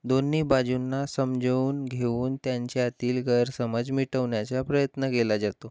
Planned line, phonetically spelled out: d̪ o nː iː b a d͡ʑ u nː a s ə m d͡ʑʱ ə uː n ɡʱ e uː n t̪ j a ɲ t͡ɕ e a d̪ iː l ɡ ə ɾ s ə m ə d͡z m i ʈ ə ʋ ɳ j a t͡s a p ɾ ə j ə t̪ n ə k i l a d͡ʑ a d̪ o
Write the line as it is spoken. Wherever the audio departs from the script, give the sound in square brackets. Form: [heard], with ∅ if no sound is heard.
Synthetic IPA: d̪ o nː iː b a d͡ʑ u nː a s ə m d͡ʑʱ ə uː n ɡʱ e uː n t̪ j a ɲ t͡ɕ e a [t̪] iː l ɡ ə ɾ s ə m ə d͡z m i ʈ ə ʋ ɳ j a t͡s a p ɾ ə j ə t̪ n ə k [e] l a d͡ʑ a [t̪] o